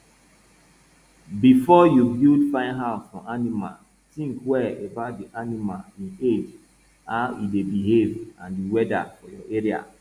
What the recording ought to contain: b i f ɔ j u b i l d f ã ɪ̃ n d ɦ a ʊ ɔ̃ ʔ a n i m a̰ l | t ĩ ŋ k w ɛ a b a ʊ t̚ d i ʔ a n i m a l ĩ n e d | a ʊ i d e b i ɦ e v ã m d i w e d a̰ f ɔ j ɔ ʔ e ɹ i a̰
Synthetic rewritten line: b i f ɔ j u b i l d f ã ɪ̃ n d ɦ a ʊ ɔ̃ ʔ a n i m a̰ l | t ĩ ŋ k w ɛ e b a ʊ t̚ d i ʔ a n i m a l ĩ n e d͡ʒ | a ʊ i d e b i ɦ e v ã n d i w ɛ d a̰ f ɔ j ɔ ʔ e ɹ i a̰